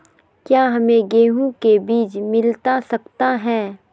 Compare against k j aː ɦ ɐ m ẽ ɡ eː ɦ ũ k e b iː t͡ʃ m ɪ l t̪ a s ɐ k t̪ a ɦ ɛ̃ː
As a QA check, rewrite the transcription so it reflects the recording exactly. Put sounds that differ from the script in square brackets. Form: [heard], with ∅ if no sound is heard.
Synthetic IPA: k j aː ɦ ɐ m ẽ ɡ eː ɦ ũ k e b iː t͡ʃ m ɪ l t̪ a s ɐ k t̪ a ɦ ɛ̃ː